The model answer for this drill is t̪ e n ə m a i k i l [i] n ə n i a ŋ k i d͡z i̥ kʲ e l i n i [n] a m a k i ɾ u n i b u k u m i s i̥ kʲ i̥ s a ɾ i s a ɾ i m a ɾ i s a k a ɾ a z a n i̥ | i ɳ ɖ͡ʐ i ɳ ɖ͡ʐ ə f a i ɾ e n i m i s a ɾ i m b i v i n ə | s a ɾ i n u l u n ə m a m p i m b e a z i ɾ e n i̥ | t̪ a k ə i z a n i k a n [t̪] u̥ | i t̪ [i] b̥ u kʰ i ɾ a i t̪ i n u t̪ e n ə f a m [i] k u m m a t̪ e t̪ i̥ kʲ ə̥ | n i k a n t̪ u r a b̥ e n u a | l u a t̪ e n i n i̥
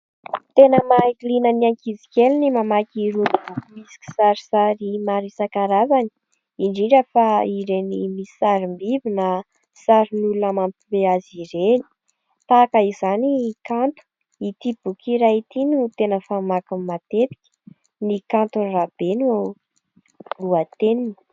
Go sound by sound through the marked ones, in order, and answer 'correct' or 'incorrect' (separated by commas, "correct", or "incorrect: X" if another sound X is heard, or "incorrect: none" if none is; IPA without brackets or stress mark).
correct, incorrect: m, correct, correct, incorrect: a